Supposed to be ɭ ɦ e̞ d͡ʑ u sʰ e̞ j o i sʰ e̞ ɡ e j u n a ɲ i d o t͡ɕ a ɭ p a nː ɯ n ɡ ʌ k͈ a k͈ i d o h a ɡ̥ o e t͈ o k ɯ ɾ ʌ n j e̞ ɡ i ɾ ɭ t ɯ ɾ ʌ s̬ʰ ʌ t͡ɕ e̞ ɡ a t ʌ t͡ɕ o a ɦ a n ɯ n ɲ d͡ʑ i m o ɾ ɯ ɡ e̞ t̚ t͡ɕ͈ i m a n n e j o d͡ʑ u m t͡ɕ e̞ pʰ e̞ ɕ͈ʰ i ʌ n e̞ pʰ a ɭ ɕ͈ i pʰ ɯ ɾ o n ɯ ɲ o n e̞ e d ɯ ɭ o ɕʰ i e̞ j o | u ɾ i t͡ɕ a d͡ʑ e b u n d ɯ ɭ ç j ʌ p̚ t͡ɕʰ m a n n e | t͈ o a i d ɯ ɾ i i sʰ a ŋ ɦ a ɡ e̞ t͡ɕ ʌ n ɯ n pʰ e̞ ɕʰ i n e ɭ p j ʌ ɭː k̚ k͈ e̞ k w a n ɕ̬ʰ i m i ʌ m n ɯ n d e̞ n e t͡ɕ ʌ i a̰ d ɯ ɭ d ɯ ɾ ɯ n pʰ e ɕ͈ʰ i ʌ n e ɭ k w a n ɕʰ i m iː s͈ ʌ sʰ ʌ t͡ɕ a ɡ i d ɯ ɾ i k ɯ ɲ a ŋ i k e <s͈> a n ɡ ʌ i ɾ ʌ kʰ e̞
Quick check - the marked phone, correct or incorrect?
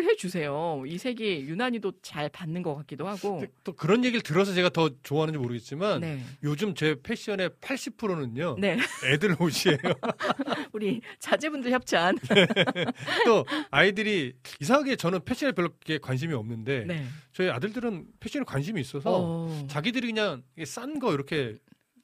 correct